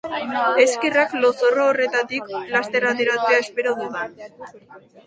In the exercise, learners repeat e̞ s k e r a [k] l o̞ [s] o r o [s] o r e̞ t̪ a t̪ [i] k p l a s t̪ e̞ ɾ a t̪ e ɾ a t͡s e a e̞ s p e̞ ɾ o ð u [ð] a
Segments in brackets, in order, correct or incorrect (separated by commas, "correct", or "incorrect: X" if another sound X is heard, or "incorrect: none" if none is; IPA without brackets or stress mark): correct, correct, incorrect: none, correct, correct